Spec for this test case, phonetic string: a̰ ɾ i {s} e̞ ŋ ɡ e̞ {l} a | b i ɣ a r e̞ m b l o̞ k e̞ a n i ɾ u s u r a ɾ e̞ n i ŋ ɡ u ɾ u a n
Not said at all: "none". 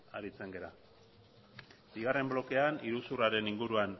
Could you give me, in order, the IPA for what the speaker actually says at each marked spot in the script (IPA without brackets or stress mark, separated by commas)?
t͡s, ɾ